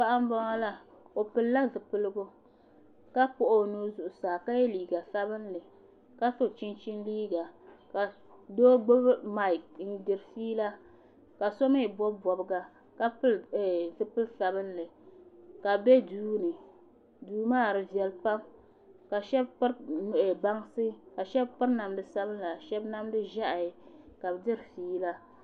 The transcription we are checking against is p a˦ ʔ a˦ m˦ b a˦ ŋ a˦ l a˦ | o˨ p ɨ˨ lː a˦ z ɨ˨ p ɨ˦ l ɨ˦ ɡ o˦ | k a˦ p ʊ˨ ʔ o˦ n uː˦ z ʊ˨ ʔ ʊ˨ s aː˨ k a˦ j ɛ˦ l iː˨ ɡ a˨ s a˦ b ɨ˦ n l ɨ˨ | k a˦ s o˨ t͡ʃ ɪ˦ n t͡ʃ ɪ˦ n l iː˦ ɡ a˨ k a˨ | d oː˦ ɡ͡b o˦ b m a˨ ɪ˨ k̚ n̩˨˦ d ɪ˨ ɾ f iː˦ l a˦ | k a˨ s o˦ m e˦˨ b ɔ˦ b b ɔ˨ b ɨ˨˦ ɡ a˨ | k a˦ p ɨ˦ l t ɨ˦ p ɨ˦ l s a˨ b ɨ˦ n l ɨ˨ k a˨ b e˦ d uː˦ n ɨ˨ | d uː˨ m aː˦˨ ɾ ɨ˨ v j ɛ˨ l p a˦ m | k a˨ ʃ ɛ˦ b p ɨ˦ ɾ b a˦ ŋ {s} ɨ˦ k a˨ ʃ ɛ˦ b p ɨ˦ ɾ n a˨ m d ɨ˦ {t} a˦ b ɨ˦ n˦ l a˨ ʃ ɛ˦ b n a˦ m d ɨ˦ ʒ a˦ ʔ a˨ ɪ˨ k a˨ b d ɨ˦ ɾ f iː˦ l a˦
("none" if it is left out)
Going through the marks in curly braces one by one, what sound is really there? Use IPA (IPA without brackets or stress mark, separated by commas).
s, s